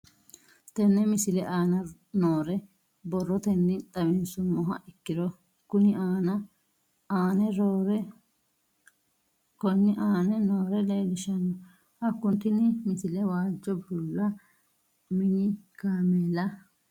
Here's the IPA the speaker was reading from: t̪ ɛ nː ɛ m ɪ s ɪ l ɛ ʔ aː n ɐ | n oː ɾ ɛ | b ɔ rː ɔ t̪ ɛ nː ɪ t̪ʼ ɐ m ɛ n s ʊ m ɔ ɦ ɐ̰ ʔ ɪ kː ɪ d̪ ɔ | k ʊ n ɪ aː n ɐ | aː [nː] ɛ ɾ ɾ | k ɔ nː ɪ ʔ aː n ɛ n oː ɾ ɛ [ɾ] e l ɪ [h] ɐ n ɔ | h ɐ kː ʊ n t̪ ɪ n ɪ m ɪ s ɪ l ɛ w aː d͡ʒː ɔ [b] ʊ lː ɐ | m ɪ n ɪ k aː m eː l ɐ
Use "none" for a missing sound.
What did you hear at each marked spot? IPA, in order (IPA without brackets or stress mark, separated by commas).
n, l, ʃ, b